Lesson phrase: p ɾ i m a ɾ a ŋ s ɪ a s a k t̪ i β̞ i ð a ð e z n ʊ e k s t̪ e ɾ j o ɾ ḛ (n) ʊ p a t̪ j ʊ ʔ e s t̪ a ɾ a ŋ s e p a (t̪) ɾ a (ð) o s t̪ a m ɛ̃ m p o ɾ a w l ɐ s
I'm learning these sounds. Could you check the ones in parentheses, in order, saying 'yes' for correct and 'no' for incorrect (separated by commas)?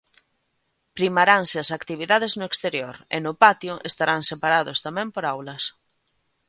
yes, no, yes